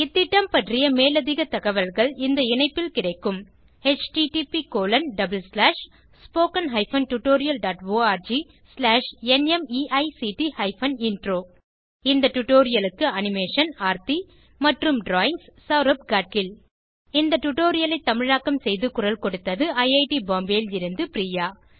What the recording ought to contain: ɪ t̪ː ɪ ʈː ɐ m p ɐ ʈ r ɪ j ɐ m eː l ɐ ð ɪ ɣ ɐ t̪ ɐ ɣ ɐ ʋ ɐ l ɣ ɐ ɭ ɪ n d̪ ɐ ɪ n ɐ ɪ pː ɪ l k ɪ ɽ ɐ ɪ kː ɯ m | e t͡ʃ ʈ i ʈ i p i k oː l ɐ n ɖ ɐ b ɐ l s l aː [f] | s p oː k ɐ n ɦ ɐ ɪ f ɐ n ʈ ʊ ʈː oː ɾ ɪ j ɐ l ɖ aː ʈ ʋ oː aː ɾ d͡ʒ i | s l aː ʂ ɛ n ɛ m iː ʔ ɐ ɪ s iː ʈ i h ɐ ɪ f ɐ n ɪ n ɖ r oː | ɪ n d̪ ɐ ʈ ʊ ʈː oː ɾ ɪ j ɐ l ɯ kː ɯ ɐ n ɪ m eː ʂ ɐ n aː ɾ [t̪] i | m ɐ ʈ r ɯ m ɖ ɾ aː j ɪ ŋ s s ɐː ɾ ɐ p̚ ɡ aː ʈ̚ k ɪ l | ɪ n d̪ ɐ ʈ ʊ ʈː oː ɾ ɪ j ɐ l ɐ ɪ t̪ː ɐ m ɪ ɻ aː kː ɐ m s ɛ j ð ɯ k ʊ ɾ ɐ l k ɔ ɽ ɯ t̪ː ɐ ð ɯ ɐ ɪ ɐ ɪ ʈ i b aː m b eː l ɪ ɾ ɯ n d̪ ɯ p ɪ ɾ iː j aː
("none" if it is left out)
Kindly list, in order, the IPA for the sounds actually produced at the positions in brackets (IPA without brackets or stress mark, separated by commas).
ʂ, t̪